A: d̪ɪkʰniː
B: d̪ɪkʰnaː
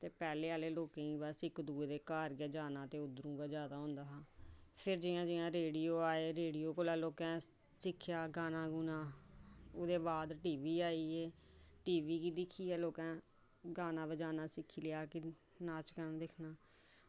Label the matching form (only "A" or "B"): B